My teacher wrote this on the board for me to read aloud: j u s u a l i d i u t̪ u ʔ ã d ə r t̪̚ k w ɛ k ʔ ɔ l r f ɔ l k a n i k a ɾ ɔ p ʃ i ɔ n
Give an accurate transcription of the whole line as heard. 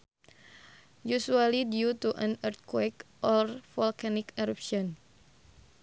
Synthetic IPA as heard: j u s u a l i d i u t̪ u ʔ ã n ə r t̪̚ k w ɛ k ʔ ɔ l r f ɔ l k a n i k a ɾ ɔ p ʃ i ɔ n

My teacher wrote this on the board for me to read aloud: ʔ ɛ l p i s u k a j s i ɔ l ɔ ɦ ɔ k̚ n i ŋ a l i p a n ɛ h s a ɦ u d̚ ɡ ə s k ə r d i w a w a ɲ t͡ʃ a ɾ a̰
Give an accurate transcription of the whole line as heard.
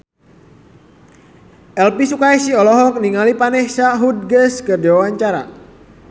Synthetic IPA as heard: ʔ ɛ l p i s u k a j s i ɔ l ɔ ɦ ɔ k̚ n i ŋ a l i p a n ɛ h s a ɦ u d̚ ɡ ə s k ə r d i w a w a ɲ t͡ʃ a ɾ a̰

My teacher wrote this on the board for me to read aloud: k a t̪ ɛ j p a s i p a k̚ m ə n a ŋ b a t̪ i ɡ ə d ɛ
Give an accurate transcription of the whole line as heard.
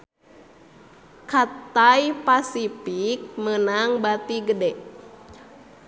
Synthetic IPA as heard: k a t̪ a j p a s i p i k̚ m ə n a ŋ b a t̪ i ɡ ə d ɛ

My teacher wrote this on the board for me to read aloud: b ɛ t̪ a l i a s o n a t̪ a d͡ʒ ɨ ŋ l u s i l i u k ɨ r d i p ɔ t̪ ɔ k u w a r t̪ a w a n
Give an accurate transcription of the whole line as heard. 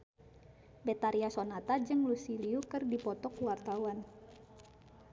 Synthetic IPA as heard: b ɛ t̪ a ɾ i a s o n a t̪ a d͡ʒ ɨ ŋ l u s i l i u k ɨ r d i p ɔ t̪ ɔ k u w a r t̪ a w a n

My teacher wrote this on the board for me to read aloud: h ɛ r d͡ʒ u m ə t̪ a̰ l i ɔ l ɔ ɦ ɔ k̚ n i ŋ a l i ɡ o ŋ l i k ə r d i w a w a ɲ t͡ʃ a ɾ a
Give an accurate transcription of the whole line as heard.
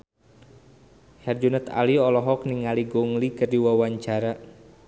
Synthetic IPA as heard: h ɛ r d͡ʒ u n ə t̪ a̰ l i ɔ l ɔ ɦ ɔ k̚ n i ŋ a l i ɡ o ŋ l i k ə r d i w a w a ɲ t͡ʃ a ɾ a

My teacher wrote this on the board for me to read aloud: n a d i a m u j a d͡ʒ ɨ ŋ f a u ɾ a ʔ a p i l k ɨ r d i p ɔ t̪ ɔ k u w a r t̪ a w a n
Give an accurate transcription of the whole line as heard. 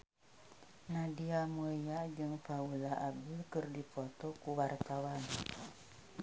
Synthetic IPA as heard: n a d i a m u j a d͡ʒ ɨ ŋ f a u l a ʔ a b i l k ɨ r d i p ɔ t̪ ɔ k u w a r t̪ a w a n

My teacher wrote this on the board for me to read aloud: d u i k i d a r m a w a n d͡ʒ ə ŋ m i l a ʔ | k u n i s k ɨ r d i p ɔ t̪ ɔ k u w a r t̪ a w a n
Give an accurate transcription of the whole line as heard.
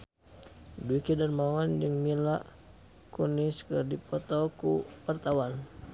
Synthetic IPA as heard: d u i k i d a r m a w a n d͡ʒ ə ŋ m i l a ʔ | k u n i s k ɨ r d i p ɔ t̪ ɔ k u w a r t̪ a w a n

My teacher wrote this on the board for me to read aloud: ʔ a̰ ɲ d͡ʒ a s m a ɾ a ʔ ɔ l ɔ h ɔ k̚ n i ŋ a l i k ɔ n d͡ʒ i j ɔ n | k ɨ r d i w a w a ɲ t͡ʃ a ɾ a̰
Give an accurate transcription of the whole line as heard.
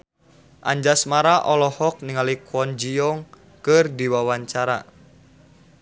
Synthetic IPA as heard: ʔ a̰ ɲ d͡ʒ a s m a ɾ a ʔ ɔ l ɔ h ɔ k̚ n i ŋ a l i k ɔ n d͡ʒ i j ɔ ŋ | k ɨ r d i w a w a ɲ t͡ʃ a ɾ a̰

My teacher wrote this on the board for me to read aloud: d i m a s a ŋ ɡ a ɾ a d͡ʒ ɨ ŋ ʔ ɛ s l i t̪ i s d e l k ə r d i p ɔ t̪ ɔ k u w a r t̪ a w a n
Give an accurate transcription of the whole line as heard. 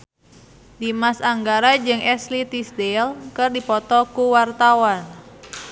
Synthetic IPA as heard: d i m a s a ŋ ɡ a ɾ a d͡ʒ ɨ ŋ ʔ ɛ s l i t̪ i s d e l k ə r d i p ɔ t̪ ɔ k u w a r t̪ a w a n

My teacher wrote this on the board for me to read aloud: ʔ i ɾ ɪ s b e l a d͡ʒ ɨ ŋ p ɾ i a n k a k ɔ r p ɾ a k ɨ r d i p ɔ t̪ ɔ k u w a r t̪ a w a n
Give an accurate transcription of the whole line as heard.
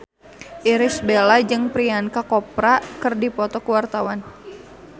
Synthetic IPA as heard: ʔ i ɾ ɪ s b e l a d͡ʒ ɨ ŋ p ɾ i a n k a k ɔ p ɾ a k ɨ r d i p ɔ t̪ ɔ k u w a r t̪ a w a n

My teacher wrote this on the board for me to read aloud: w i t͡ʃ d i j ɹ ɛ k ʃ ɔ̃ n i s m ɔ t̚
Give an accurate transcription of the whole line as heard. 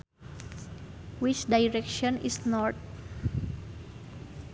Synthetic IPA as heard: w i t͡ʃ d a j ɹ ɛ k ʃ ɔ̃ n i s n ɔ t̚

